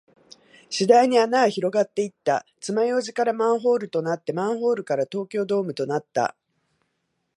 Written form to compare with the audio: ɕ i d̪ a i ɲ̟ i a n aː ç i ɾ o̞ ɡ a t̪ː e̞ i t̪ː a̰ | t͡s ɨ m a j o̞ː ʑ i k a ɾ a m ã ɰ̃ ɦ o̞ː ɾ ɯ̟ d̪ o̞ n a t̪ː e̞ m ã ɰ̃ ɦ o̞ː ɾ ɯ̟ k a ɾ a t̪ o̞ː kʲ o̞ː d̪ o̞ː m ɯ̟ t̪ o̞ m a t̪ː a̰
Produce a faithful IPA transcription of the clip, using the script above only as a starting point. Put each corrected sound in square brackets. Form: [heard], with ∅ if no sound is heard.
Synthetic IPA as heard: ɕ i d̪ a i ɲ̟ i a n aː ç i ɾ o̞ ɡ a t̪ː e̞ i t̪ː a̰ | t͡s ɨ m a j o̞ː ʑ i k a ɾ a m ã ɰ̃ ɦ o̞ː ɾ ɯ̟ [t̪] o̞ n a t̪ː e̞ m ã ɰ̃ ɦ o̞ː ɾ ɯ̟ k a ɾ a t̪ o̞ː kʲ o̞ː d̪ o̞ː m ɯ̟ t̪ o̞ [n] a t̪ː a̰